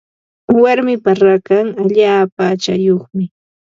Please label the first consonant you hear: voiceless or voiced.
voiced